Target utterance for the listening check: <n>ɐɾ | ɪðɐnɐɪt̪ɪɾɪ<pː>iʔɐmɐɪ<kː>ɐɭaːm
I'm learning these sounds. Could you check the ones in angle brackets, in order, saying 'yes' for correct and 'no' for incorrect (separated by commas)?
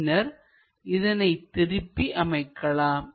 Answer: yes, yes, yes